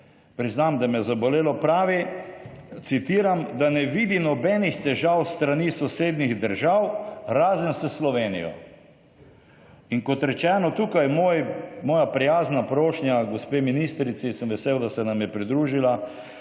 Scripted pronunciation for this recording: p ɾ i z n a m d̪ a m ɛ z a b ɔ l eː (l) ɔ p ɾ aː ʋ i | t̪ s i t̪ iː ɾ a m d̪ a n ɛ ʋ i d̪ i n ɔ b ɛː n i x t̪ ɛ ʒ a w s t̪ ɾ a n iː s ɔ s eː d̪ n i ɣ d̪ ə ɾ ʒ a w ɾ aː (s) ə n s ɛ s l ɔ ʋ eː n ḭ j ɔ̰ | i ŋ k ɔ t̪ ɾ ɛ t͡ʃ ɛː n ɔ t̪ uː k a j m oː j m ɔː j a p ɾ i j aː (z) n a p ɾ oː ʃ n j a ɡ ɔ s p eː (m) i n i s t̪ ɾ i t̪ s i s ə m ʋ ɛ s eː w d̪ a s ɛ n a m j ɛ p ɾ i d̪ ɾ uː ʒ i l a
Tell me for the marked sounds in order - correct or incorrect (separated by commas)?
correct, incorrect, correct, correct